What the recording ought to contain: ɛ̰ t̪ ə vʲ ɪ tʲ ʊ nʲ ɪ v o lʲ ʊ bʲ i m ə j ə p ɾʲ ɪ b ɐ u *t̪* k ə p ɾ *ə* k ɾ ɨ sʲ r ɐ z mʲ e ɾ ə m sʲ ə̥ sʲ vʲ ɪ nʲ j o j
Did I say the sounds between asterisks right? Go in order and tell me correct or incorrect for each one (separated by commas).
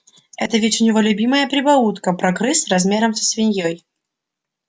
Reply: correct, incorrect